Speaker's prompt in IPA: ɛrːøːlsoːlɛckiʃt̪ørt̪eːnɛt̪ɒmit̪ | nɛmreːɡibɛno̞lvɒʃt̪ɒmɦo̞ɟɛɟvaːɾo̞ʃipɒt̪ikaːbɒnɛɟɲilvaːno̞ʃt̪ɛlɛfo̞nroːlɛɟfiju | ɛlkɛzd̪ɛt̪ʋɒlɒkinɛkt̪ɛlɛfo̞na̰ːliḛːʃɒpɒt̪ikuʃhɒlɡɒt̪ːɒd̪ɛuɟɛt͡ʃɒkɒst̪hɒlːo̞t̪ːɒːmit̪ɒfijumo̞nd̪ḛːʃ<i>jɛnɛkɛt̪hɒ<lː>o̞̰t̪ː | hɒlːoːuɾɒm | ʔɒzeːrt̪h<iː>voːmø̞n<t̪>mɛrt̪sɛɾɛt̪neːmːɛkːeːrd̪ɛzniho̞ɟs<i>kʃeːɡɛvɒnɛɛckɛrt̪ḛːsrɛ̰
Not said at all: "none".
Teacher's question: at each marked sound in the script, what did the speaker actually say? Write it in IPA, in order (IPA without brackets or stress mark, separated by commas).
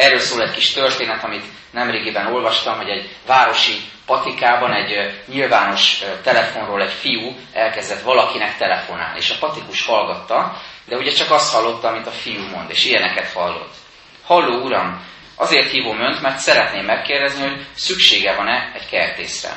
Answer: i, lː, iː, t̪, y